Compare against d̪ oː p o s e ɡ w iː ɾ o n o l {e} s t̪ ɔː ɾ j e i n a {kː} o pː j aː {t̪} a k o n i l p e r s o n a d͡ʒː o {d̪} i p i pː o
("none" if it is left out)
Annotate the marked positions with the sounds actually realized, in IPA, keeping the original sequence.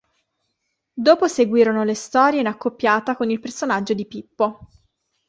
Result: e, kː, t̪, d̪

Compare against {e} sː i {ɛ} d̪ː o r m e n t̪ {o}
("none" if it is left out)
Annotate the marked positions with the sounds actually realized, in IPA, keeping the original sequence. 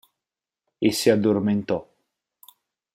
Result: e, a, ɔ

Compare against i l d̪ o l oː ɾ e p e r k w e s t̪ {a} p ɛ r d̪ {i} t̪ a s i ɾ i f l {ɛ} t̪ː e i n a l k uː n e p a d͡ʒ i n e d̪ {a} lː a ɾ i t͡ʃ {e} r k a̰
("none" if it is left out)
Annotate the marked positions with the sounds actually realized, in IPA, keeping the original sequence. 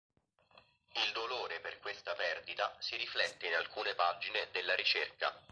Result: a, i, ɛ, e, e

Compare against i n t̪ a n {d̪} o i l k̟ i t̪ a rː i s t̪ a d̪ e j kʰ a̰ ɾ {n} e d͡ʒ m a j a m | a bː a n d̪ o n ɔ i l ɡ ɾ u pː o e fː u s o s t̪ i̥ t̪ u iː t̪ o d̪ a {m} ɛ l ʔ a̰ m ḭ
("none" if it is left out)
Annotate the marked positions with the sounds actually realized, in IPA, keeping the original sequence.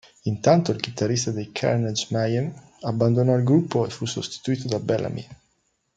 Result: t̪, n, b

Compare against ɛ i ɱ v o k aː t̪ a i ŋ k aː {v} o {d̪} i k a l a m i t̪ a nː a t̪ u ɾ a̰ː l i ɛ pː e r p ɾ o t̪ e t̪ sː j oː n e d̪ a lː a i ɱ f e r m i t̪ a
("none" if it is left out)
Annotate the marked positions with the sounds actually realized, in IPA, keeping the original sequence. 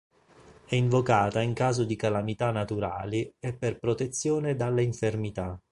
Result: z, d̪

